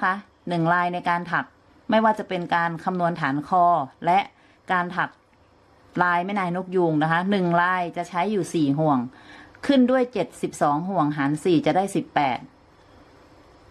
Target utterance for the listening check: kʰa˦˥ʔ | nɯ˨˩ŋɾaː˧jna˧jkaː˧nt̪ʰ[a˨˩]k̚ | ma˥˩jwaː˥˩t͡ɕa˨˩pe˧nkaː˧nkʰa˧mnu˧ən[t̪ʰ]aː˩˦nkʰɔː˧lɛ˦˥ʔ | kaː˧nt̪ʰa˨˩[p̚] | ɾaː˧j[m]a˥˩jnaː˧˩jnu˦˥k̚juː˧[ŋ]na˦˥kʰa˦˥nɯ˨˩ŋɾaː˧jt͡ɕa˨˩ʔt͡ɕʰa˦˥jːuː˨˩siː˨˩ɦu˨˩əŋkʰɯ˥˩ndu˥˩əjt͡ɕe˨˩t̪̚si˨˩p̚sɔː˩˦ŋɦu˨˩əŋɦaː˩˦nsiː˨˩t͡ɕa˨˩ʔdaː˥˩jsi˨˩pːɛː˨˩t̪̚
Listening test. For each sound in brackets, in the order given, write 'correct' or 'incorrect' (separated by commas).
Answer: correct, correct, incorrect, correct, correct